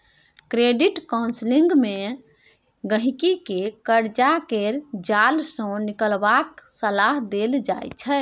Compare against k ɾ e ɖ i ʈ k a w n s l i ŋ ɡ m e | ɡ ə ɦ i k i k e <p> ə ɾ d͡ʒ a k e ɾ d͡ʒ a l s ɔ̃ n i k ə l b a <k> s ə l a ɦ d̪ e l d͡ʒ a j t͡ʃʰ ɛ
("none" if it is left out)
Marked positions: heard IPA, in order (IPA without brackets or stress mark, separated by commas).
k, k